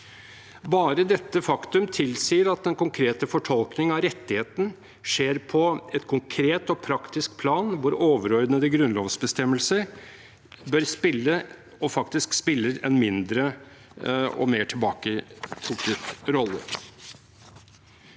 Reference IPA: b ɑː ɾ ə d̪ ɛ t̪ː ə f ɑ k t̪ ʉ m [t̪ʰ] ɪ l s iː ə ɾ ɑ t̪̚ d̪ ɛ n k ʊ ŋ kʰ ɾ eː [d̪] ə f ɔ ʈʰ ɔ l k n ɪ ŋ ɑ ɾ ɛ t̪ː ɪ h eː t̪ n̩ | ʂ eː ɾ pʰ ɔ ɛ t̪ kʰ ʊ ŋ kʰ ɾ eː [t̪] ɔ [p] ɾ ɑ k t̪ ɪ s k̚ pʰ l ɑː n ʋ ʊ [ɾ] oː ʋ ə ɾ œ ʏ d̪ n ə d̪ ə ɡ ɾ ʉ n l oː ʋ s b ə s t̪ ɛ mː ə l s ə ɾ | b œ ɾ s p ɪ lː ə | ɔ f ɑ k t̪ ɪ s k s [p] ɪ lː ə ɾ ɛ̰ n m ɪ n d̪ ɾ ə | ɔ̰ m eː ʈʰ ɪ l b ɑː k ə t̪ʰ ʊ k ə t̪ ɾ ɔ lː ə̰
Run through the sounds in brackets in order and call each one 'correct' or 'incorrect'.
correct, incorrect, correct, incorrect, correct, correct

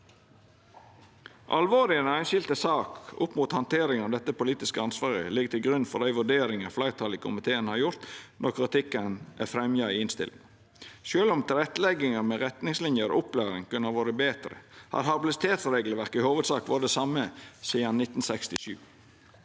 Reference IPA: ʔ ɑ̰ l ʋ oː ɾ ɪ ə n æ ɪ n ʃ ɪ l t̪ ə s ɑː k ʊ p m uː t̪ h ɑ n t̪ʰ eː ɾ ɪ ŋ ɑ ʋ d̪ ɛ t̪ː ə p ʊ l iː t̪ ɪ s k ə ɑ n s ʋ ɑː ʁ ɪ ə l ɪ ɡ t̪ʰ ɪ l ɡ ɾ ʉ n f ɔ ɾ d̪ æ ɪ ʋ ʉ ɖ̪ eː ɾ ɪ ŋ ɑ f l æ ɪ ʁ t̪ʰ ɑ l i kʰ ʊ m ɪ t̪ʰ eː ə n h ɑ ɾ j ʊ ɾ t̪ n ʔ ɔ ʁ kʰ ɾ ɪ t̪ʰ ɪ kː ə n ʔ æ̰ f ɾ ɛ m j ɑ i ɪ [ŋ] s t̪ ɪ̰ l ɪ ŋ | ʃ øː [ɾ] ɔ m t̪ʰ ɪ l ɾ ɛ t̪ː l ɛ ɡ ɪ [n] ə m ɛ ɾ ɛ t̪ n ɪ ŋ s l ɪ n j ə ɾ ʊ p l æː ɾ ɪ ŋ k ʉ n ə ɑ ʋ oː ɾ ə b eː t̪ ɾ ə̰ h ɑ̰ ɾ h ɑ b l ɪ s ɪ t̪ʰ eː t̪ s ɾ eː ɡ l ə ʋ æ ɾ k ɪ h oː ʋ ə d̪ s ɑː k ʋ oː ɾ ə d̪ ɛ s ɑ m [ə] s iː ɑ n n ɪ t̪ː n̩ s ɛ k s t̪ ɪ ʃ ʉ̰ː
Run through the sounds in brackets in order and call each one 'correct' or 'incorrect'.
incorrect, incorrect, incorrect, correct

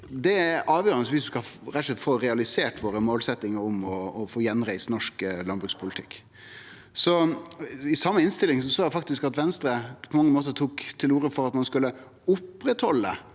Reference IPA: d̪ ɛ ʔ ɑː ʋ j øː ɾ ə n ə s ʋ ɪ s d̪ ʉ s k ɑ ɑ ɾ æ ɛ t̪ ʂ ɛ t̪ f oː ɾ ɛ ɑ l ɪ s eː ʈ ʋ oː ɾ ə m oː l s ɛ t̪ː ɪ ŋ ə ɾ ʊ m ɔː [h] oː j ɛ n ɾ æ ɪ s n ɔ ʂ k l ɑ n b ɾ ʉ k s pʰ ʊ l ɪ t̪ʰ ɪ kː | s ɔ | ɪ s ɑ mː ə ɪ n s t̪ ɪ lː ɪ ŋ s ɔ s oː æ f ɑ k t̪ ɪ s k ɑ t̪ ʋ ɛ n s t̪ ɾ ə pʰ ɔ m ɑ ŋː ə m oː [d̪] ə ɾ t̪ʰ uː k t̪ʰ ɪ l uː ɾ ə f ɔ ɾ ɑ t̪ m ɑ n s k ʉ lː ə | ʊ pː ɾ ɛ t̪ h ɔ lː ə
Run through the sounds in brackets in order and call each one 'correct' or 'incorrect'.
incorrect, incorrect

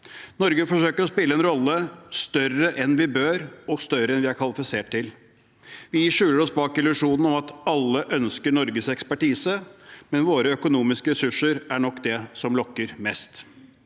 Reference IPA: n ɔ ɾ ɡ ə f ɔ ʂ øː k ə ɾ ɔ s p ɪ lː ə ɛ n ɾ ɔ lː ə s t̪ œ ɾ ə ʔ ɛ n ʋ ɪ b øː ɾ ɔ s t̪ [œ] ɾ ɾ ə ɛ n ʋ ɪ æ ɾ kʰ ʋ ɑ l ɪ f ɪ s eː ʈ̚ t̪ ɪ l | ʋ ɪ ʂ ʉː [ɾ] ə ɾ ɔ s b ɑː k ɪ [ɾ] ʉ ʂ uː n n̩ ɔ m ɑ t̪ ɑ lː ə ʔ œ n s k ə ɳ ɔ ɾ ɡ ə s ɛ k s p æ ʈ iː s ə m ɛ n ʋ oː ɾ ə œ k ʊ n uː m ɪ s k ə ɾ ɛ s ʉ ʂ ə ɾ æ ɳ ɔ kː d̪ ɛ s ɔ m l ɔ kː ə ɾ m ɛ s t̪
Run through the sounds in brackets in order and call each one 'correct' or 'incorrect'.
correct, incorrect, incorrect

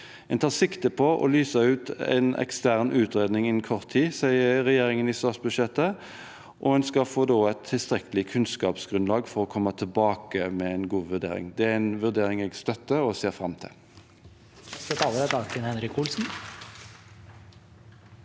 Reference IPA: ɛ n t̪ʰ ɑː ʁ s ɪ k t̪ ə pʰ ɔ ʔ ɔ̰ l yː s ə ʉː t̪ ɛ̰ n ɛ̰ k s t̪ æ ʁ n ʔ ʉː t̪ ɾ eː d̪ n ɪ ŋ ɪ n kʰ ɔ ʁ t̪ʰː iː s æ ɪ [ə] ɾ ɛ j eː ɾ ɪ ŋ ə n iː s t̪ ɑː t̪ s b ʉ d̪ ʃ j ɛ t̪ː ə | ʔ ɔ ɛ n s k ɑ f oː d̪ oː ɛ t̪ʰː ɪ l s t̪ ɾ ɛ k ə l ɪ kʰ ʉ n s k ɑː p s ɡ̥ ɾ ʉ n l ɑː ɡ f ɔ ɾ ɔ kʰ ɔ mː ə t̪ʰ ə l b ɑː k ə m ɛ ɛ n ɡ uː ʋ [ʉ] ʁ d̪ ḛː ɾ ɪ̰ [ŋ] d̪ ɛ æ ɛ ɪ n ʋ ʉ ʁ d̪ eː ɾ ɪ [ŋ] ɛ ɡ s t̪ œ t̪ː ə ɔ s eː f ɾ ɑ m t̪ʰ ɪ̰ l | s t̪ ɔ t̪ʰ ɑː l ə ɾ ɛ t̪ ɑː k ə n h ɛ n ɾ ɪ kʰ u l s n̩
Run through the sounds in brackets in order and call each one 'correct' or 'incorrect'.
correct, correct, correct, correct

